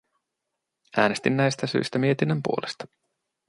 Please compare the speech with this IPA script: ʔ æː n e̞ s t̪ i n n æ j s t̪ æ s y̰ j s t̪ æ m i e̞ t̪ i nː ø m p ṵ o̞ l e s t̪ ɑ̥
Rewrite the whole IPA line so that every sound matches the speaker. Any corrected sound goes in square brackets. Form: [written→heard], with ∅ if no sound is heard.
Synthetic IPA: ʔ æː n e̞ s t̪ i n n æ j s t̪ æ s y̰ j s t̪ æ m i e̞ t̪ i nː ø m p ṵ o̞ l e s t̪ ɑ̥